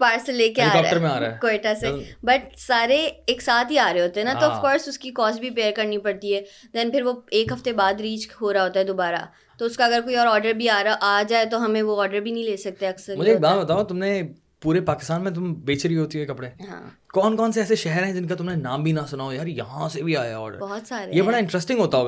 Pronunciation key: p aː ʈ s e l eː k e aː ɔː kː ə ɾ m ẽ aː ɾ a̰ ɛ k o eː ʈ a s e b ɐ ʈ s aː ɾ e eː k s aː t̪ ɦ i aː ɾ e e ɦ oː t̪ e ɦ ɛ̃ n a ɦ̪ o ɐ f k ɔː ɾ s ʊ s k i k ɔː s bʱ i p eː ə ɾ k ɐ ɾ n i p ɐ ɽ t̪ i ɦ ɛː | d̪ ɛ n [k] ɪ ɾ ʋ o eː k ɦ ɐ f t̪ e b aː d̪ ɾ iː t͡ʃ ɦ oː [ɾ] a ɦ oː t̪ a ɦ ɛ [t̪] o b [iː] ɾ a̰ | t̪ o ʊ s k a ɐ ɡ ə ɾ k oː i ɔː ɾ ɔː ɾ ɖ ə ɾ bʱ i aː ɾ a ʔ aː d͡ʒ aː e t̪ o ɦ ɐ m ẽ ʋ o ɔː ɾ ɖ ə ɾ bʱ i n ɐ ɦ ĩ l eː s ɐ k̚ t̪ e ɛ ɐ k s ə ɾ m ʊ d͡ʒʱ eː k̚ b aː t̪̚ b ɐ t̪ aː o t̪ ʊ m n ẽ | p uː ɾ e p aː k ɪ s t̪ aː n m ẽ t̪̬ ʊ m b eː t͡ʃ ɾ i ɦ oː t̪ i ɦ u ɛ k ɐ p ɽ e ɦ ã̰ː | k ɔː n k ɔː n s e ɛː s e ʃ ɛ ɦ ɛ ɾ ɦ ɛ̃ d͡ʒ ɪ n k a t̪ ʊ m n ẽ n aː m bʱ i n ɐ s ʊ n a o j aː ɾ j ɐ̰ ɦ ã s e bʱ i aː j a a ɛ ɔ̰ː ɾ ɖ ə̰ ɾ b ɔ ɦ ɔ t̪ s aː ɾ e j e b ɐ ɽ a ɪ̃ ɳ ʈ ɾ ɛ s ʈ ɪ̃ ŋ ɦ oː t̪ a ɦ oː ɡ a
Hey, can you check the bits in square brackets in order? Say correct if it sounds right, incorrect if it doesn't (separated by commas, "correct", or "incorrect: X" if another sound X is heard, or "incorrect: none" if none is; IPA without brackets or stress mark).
incorrect: p, correct, incorrect: d̪, incorrect: aː